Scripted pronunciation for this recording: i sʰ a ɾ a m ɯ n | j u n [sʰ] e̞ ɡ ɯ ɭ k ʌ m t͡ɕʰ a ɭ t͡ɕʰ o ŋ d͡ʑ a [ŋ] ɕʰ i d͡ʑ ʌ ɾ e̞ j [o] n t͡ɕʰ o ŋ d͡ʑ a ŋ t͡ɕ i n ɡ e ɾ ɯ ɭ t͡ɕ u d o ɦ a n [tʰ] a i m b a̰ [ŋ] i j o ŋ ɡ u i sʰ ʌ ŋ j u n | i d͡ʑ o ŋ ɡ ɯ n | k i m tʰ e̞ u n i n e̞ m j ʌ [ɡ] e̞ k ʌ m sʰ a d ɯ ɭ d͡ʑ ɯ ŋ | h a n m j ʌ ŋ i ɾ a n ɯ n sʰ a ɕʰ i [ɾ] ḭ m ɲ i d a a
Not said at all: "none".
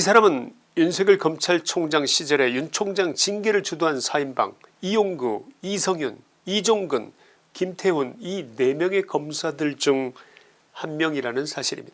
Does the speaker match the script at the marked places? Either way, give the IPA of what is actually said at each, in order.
sʰ, ŋ, u, sʰ, ŋ, ŋ, ɾ

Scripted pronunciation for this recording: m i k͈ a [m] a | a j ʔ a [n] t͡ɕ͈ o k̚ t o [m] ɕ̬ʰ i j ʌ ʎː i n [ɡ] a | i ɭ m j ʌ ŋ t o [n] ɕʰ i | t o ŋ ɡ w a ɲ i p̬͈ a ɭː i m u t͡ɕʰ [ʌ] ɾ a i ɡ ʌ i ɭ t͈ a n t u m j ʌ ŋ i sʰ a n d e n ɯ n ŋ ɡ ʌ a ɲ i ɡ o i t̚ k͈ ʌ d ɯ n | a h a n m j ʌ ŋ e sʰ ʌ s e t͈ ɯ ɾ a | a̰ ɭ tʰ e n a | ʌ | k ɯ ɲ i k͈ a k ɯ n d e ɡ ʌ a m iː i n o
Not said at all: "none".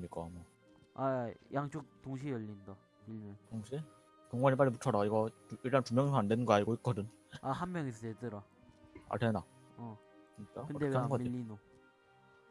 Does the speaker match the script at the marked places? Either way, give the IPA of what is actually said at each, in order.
m, ŋ, ŋ, d, ŋ, ʌ

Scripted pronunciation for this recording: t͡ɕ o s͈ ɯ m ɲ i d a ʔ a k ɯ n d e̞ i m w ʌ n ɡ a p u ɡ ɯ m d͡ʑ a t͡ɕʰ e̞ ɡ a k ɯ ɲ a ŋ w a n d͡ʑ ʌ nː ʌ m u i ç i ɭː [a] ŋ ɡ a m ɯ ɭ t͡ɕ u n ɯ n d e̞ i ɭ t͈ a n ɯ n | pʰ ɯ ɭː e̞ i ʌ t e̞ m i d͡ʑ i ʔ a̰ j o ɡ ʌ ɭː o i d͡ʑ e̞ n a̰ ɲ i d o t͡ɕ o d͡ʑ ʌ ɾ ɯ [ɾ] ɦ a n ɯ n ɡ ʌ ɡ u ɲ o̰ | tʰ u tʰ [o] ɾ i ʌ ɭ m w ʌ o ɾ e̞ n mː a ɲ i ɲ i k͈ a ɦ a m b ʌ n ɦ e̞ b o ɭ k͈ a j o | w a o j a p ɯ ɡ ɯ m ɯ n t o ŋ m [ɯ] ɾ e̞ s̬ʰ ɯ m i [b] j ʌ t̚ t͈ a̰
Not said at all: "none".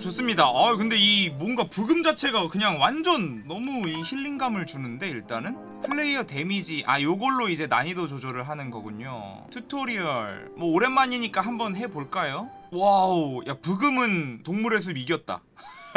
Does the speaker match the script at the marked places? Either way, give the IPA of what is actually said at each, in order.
i, ɭ, o, u, ɡ

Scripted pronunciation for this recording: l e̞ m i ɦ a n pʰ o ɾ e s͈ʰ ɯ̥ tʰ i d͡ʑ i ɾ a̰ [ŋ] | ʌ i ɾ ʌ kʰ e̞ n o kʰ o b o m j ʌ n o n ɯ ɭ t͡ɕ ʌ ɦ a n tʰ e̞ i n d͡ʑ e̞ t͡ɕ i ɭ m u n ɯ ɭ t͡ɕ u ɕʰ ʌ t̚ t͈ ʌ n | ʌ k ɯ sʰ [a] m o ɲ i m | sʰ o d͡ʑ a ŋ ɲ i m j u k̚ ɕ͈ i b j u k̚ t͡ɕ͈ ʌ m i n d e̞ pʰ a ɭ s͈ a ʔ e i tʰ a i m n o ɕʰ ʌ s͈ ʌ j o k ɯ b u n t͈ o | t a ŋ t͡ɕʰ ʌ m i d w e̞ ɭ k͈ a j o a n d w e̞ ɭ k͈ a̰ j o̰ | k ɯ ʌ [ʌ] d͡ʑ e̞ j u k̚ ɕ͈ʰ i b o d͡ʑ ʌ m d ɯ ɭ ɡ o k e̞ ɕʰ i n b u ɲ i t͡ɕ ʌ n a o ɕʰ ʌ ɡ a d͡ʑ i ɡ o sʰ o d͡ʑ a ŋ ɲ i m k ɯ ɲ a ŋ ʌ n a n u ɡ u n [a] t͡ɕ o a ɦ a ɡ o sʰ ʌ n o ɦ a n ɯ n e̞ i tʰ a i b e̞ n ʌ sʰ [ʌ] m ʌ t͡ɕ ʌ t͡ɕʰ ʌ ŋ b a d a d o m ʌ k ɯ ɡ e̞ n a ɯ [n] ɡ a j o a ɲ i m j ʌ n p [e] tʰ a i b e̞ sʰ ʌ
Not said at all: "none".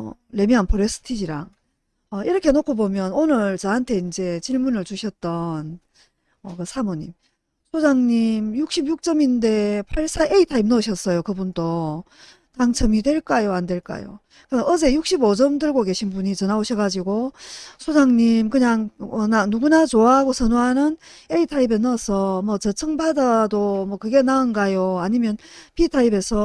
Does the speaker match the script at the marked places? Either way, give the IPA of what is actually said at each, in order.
ŋ, a, ʌ, a, ʌ, n, i

